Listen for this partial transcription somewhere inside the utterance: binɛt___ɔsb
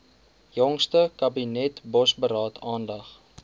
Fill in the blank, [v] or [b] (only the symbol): b